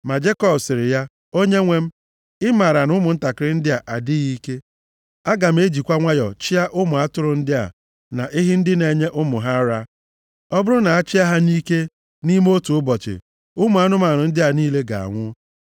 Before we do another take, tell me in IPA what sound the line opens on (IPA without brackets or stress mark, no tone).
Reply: m